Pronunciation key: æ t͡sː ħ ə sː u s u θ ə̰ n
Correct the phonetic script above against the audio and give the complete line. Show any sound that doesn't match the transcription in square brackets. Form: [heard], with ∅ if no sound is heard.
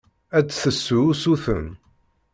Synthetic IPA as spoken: æ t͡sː [θ] ə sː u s u θ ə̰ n

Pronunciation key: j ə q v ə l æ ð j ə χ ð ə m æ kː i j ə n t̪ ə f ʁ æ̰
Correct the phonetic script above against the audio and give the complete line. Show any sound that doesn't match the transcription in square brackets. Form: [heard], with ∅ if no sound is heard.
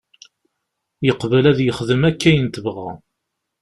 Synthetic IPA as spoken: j ə q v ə l æ ð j ə χ ð ə m æ kː [æ] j ə n t̪ ə [v] ʁ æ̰

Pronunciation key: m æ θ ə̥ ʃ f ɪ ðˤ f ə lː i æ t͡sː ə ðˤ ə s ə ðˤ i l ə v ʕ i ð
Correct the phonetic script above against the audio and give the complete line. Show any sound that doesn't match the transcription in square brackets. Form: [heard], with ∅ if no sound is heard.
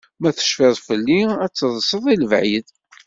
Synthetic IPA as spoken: m æ θ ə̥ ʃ f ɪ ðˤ f ə lː i æ t͡sː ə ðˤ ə s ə ðˤ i l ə v ʕ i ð

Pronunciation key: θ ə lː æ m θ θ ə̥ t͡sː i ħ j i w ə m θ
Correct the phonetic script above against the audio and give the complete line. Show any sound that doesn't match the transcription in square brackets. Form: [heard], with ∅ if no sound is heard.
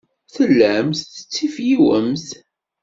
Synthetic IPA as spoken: θ ə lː æ m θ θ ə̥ t͡sː i [f] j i w ə m θ

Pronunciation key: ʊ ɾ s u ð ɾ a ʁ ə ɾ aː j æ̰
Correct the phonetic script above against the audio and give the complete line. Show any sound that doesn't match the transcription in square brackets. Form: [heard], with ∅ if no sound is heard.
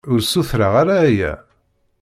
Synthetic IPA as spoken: ʊ ɾ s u [θ] ɾ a ʁ [a] ɾ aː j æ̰

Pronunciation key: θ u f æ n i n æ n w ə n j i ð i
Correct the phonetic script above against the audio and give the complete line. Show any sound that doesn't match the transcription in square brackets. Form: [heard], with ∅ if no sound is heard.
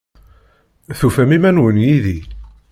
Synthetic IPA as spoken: θ u f æ [m] i [m] æ n w ə n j i ð i

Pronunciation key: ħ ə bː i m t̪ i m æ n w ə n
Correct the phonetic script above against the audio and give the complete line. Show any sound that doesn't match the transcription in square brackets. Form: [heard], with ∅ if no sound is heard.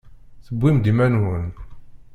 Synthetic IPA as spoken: [θ] ə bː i m [d̪] i m æ n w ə n

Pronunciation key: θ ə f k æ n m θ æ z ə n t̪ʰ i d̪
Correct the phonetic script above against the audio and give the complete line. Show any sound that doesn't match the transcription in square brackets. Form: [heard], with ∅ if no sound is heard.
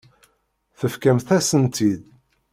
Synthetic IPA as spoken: θ ə f k æ [∅] m θ æ [s] ə n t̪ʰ i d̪

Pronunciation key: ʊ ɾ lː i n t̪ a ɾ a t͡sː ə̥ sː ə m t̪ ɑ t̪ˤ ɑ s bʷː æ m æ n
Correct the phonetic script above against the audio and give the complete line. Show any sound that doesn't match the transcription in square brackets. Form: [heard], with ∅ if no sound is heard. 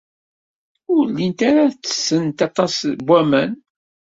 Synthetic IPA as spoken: ʊ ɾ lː i n t̪ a ɾ a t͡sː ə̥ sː ə [n] t̪ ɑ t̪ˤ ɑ s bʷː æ m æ n

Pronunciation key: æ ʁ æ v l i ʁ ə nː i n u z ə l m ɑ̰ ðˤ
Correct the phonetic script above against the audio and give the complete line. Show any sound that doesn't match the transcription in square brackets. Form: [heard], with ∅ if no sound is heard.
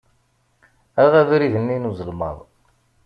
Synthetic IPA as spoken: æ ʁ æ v [ɾ] i [ð] ə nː i n u z ə l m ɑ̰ ðˤ

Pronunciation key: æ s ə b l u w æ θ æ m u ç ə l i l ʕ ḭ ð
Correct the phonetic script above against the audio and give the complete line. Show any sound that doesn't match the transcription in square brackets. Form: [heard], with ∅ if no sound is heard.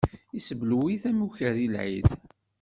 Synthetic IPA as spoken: [i] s ə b l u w [i] θ æ m u ç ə [ɾ] i l ʕ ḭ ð

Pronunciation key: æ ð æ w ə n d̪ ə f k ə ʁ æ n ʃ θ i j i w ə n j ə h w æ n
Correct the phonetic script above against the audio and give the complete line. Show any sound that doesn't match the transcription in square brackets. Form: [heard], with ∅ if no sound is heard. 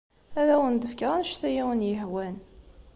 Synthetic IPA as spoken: æ ð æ w ə n d̪ ə f k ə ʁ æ n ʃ θ [æ] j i w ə n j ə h w æ n

